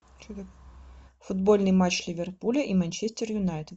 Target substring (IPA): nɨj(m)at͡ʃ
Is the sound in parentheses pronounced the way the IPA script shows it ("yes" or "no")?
yes